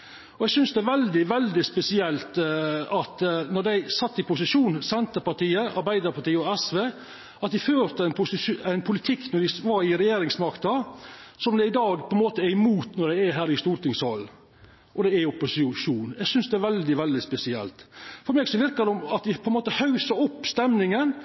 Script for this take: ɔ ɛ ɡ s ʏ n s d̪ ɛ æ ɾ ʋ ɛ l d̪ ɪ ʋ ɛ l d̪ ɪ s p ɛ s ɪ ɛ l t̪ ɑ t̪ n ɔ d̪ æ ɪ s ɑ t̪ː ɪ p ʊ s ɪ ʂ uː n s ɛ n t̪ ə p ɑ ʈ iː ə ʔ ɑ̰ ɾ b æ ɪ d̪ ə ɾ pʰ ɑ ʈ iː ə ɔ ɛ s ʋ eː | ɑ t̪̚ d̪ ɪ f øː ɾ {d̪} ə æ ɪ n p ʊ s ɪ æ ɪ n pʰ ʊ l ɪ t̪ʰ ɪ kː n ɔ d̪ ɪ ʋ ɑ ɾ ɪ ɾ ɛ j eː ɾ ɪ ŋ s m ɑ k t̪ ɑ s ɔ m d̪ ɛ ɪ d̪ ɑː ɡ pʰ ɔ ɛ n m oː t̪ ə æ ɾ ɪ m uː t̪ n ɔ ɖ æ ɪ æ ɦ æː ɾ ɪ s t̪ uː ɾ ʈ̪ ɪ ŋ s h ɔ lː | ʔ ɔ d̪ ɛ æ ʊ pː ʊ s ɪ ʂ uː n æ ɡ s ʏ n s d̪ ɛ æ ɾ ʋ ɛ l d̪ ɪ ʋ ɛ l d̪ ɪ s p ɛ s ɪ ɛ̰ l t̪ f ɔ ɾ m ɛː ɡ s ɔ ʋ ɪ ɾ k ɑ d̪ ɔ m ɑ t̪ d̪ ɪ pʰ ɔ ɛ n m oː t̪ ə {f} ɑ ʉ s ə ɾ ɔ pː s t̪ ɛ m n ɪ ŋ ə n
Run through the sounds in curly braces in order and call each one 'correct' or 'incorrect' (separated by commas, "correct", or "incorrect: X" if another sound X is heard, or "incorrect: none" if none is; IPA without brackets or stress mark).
incorrect: t̪, incorrect: h